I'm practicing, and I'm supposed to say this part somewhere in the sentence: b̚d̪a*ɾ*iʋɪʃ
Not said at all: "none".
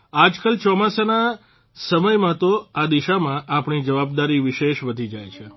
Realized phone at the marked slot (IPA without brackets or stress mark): ɾ